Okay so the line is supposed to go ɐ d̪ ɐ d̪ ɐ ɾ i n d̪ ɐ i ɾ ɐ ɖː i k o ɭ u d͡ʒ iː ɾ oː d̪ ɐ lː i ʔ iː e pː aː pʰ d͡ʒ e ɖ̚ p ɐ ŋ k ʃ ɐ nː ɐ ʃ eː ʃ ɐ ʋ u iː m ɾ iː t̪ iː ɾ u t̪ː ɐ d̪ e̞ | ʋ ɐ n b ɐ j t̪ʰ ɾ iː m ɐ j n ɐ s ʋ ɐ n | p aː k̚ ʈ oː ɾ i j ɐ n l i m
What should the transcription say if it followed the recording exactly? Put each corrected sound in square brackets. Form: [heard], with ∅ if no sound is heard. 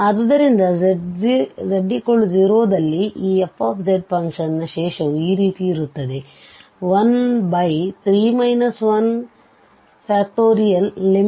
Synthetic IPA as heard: ɐ d̪ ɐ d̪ ɐ ɾ i n d̪ ɐ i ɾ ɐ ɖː i k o ɭ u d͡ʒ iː ɾ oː d̪ ɐ lː i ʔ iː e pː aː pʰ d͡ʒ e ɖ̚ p ɐ ŋ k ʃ ɐ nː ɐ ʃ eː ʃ ɐ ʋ u iː [∅] ɾ iː t̪ iː ɾ u t̪ː ɐ d̪ e̞ | ʋ ɐ n b ɐ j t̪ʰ ɾ iː m ɐ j n ɐ s ʋ ɐ n | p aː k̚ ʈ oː ɾ i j ɐ n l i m